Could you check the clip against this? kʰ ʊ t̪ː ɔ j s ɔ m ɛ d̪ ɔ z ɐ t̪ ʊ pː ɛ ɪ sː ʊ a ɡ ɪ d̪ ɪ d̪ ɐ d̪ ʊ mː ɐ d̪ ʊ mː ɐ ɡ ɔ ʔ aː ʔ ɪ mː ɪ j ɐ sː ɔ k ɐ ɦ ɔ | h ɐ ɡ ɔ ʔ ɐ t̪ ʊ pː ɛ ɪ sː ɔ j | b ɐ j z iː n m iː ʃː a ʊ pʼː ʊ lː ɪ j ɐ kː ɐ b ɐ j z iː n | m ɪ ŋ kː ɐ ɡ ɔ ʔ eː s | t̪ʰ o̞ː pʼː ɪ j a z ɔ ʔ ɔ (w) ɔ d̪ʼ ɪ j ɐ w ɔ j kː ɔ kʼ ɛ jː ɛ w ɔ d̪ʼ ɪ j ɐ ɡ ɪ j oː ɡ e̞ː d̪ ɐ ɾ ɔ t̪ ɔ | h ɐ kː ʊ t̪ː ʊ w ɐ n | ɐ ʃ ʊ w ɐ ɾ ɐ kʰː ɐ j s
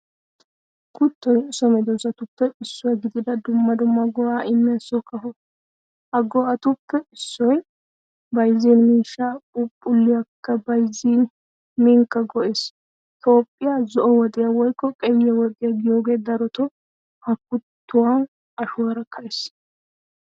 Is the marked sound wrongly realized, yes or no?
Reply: no